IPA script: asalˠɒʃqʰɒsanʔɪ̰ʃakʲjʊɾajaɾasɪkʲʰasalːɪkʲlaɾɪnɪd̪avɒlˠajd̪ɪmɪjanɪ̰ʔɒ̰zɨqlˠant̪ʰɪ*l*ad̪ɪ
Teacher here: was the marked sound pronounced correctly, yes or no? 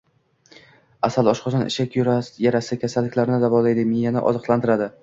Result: no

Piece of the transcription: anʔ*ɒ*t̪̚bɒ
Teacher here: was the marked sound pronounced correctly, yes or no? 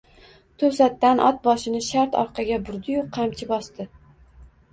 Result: yes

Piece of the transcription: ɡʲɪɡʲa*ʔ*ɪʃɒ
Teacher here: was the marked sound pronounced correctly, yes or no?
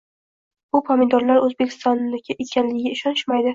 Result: no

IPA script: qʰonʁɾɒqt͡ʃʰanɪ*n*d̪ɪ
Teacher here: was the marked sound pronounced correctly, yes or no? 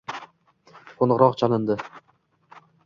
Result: yes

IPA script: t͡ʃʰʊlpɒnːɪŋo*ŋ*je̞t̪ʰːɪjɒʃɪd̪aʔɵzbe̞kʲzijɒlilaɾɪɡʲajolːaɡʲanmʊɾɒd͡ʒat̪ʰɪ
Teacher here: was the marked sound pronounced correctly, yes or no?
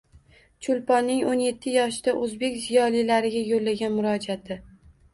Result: no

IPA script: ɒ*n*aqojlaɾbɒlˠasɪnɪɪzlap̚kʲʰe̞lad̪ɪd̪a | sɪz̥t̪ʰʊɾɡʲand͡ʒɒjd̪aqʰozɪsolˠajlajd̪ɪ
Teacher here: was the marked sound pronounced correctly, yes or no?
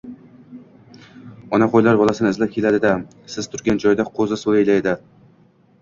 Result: yes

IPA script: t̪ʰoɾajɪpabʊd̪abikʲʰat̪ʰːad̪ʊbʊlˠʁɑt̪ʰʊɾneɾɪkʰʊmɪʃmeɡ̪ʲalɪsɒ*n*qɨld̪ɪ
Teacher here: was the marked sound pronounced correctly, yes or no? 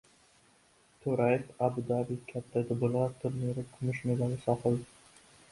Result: no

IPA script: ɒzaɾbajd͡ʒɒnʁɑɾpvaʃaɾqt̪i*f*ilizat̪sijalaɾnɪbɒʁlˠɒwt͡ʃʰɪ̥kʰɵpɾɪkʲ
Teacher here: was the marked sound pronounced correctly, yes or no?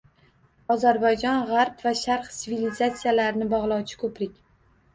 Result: no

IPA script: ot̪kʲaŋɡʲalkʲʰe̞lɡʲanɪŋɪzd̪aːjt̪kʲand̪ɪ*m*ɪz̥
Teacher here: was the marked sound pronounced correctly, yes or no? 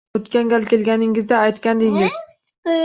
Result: no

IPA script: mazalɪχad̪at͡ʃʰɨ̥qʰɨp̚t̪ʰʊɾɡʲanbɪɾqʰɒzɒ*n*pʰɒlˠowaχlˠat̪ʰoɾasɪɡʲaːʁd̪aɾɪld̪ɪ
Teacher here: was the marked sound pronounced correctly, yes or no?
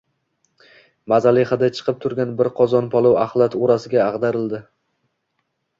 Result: yes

